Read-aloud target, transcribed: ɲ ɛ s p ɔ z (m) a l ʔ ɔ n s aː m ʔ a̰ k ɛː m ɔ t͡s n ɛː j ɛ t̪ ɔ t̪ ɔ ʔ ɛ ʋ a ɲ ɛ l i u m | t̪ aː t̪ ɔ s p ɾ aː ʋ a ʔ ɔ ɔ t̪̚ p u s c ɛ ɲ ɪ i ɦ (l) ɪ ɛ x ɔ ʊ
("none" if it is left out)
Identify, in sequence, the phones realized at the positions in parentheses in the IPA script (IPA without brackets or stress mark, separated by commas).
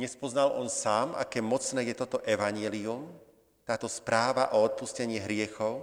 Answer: n, ɾ